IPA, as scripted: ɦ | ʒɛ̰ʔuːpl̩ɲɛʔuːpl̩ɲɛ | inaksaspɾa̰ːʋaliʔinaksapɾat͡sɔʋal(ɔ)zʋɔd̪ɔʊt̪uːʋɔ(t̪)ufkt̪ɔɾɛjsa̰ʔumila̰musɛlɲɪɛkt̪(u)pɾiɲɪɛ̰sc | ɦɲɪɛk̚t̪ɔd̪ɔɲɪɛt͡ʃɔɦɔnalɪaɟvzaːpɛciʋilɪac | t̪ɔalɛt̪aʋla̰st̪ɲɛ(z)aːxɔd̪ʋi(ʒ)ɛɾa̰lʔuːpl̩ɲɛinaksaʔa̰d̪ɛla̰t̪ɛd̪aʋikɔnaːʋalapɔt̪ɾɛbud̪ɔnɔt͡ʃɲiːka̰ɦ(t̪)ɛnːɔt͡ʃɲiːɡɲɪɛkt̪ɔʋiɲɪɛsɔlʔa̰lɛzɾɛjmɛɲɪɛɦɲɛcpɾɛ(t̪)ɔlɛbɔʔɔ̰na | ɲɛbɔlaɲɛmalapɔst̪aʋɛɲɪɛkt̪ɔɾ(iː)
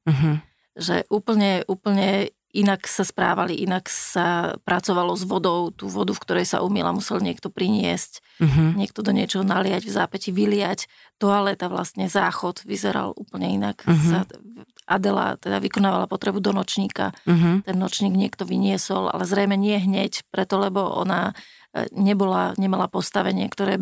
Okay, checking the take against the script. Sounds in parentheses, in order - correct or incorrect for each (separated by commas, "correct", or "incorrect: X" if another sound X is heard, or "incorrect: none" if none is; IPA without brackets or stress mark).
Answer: correct, incorrect: d̪, incorrect: ɔ, correct, incorrect: z, correct, correct, incorrect: ɛː